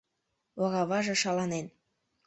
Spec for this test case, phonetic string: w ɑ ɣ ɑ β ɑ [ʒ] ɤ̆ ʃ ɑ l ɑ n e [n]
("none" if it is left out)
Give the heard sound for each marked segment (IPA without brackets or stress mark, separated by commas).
ʒ, n